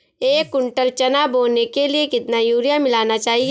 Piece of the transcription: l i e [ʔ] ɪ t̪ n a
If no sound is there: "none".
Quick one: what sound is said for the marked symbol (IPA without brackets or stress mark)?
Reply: k